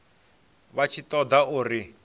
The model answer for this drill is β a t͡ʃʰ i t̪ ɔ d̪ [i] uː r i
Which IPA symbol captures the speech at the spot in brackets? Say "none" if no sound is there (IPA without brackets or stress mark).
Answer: a